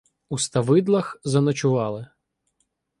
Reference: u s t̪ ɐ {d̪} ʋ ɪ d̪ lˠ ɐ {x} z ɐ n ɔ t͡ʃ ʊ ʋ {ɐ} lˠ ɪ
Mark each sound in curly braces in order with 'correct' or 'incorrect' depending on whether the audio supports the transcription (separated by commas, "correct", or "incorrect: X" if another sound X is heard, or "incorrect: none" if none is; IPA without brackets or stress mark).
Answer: incorrect: none, correct, incorrect: ɑ